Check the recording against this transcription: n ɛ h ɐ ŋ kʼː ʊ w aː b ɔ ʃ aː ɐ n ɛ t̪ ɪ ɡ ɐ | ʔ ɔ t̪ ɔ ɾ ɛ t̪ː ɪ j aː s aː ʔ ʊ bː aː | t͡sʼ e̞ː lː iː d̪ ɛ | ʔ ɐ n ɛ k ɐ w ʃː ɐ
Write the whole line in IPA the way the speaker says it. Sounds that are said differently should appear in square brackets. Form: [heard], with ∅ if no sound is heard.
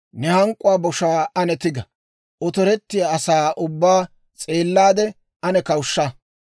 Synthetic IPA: n ɛ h ɐ ŋ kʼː ʊ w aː b ɔ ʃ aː ɐ n ɛ t̪ ɪ ɡ ɐ | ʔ ɔ t̪ ɔ ɾ ɛ t̪ː ɪ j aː s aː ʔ ʊ bː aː | t͡sʼ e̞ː lː [aː] d̪ ɛ | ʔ ɐ n ɛ k ɐ w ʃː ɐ